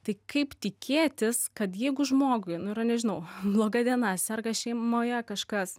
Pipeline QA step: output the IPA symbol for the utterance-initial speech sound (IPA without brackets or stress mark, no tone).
t̪